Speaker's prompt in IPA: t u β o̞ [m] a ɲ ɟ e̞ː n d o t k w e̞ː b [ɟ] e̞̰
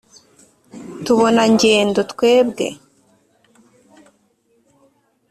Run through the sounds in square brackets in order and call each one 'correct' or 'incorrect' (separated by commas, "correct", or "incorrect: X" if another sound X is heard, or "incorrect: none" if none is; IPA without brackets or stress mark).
incorrect: n, incorrect: ɡ